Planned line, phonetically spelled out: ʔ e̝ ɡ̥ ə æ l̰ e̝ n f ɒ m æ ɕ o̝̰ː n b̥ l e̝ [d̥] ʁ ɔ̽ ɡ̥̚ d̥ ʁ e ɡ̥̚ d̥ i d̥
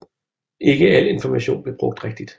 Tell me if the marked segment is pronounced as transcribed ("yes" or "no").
no